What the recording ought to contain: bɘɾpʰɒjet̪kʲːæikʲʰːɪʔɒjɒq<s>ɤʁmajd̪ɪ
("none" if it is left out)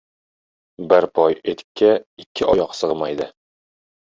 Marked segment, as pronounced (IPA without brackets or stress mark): s